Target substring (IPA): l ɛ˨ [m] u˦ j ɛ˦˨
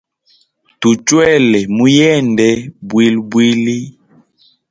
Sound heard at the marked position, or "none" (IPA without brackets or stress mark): m